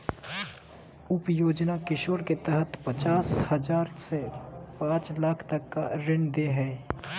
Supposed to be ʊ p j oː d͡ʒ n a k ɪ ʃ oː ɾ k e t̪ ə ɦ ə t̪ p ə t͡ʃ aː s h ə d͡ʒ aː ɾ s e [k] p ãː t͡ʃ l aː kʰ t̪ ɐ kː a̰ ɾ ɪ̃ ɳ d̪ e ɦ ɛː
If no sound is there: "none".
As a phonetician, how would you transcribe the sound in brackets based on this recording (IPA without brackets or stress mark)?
none